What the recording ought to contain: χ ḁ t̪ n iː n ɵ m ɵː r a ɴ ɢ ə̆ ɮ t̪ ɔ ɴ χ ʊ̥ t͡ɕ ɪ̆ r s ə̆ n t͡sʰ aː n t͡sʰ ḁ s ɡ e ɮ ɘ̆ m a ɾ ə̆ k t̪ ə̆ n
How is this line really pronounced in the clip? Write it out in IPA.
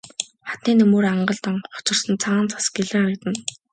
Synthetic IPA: χ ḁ t̪ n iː n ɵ m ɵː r a ɴ ɢ ə̆ ɮ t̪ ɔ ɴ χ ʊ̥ t͡ɕ ɪ̆ r s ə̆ n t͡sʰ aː n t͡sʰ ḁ s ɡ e ɮ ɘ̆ ŋ a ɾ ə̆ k t̪ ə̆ n